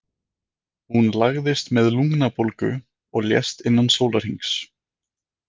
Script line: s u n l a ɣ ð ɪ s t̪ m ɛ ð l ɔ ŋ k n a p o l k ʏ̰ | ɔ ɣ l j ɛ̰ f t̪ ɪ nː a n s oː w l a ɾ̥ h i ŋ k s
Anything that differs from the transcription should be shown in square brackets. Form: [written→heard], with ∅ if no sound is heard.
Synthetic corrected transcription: [s→h] u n l a ɣ ð ɪ s t̪ m ɛ ð l [ɔ→u] ŋ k n a p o l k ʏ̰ | ɔ ɣ l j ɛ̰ [f→s] t̪ ɪ nː a n s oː w l a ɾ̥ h i ŋ k s

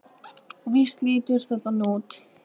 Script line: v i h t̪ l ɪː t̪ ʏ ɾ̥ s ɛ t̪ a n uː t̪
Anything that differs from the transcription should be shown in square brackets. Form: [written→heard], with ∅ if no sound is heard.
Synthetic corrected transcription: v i [h→s] t̪ l [ɪː→iː] t̪ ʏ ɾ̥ [s→θ] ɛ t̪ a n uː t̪

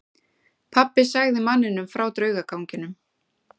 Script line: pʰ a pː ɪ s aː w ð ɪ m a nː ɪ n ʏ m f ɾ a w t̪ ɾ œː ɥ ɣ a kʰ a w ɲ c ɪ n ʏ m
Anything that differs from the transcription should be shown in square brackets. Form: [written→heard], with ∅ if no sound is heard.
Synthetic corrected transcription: pʰ a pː ɪ s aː [w→ɣ] ð ɪ m a nː ɪ n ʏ m f ɾ a w t̪ ɾ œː ɥ ɣ a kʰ a w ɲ c ɪ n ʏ m

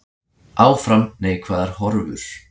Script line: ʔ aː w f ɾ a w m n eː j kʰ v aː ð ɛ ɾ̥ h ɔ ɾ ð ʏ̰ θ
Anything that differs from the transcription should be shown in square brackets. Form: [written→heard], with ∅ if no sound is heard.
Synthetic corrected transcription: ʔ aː w f ɾ a [w→∅] m n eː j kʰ v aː ð [ɛ→a] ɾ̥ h ɔ ɾ [ð→v] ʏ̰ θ

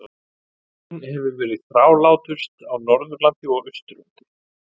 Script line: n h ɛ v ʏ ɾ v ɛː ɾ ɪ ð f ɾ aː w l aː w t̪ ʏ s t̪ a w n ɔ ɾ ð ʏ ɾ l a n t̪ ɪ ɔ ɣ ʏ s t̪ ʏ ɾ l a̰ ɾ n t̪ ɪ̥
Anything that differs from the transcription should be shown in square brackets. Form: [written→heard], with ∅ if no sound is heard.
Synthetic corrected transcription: n h ɛ v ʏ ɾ v ɛː ɾ ɪ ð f ɾ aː w l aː w t̪ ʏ s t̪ a w n ɔ ɾ ð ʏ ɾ l a n t̪ ɪ ɔ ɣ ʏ s t̪ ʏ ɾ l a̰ [ɾ→∅] n t̪ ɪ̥

